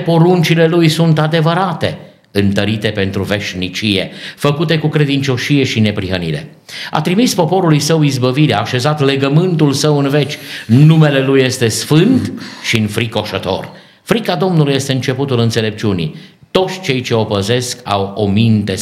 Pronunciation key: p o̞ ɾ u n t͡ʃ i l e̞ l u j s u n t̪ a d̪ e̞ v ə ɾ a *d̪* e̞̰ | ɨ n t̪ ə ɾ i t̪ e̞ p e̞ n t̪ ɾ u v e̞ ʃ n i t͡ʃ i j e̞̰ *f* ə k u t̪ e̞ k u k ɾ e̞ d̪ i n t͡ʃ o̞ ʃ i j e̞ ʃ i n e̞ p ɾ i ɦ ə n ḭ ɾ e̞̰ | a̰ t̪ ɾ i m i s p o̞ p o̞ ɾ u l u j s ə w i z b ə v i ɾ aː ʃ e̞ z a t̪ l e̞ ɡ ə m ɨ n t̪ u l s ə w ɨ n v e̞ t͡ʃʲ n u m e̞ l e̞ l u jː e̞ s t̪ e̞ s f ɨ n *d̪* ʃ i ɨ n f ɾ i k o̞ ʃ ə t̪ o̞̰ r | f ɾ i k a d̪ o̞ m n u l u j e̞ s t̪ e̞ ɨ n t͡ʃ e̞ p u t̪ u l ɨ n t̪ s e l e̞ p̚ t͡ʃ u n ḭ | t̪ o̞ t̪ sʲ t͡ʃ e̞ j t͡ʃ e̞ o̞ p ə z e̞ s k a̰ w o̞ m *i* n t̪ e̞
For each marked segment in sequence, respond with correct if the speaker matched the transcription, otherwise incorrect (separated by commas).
incorrect, correct, incorrect, correct